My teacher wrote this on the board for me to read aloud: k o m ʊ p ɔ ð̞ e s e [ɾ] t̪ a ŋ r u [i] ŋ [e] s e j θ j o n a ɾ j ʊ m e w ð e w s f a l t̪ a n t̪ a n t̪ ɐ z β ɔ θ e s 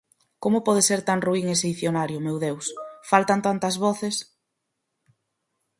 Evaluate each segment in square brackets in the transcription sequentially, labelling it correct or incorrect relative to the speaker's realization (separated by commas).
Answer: correct, correct, correct